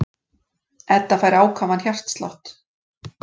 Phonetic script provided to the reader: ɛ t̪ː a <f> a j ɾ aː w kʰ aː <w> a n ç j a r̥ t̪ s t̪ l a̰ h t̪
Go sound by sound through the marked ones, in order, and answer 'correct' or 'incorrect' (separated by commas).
correct, incorrect